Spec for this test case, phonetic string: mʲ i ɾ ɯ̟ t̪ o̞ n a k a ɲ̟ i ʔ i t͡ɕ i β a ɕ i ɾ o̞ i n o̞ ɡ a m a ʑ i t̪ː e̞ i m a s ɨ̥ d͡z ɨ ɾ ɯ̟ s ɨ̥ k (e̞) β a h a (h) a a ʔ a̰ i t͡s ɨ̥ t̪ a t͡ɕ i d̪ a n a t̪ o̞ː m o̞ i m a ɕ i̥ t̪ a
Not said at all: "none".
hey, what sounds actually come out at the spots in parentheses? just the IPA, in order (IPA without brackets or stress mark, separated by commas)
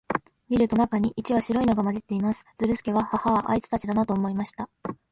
e̞, h